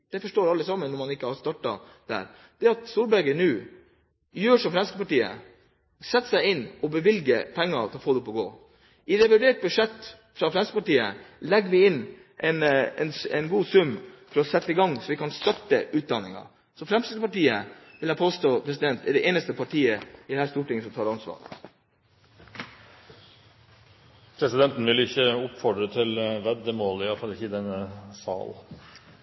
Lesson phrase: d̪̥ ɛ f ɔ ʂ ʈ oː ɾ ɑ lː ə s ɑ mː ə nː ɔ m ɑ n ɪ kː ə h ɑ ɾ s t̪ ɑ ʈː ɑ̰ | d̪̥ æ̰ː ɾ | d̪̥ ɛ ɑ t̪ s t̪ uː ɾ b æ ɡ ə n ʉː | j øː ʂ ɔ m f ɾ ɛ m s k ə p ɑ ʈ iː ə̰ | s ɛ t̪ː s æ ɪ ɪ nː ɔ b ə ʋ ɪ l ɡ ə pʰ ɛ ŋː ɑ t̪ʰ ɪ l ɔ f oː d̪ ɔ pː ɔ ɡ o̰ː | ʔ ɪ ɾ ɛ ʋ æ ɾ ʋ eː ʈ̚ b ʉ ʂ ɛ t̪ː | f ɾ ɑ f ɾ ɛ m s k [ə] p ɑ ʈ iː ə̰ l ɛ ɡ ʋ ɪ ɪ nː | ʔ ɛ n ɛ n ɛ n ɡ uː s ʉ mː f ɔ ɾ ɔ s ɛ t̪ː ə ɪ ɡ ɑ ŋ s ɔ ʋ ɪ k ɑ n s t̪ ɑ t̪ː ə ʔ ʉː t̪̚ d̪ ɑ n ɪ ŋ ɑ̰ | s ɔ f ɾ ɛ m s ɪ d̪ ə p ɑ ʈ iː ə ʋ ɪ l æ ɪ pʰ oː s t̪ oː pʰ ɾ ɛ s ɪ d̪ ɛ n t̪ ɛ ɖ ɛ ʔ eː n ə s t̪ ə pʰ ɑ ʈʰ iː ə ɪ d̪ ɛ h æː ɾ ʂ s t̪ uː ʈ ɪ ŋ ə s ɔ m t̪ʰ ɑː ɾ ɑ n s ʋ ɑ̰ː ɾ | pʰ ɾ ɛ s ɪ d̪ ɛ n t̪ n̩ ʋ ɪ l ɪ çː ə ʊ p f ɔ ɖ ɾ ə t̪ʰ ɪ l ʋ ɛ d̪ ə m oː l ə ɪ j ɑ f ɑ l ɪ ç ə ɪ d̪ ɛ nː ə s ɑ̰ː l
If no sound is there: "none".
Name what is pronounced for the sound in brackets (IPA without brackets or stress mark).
ə